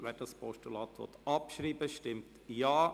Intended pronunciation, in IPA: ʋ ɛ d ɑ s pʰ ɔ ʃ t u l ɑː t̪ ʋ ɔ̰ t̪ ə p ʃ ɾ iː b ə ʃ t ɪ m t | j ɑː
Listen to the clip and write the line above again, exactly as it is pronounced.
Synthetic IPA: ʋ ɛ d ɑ s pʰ ɔ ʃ t u l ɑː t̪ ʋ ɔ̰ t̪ ɑ p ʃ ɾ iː b ə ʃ t ɪ m t | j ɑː

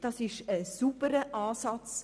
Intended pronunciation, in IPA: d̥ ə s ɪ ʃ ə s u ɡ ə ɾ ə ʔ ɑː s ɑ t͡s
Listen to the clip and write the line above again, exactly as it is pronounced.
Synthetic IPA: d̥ ɑ s ɪ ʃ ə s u b ə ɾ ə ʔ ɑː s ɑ t͡s

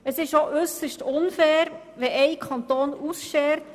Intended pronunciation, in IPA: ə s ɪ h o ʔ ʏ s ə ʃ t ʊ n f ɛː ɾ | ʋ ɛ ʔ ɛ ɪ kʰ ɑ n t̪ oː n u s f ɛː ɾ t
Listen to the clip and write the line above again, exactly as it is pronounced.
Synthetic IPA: ə s ɪ ʃ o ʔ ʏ s ə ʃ t ʊ n f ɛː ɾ | ʋ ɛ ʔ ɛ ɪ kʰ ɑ n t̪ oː n u s ʃ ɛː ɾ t

